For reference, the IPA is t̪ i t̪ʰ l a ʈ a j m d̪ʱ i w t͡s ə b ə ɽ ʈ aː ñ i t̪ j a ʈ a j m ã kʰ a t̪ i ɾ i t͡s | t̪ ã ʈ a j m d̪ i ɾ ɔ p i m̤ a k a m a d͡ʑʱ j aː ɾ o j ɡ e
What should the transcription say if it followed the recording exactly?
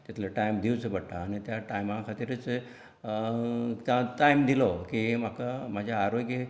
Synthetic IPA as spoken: t̪ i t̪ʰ l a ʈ a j m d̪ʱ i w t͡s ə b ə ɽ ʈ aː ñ i t̪ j a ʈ a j m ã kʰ a t̪ i ɾ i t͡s | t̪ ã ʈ a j m d̪ i l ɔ k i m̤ a k a m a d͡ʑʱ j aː ɾ o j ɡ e